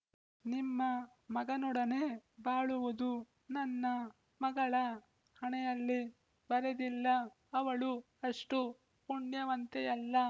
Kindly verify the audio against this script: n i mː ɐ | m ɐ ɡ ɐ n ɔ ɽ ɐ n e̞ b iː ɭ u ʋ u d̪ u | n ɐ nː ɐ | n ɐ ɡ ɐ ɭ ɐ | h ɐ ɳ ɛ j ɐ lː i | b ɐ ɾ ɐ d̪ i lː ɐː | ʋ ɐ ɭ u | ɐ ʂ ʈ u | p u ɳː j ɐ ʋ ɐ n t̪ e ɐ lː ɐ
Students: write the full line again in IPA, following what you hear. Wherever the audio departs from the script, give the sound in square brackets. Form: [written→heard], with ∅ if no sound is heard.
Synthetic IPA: n i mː ɐ | m ɐ ɡ ɐ n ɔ ɽ ɐ n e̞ b [iː→aː] ɭ u ʋ u d̪ u | n ɐ nː ɐ | [n→m] ɐ ɡ ɐ ɭ ɐ | h ɐ ɳ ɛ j ɐ lː i | b ɐ ɾ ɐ d̪ i lː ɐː | ʋ ɐ ɭ u | ɐ ʂ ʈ u | p u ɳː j ɐ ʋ ɐ n t̪ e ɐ lː ɐ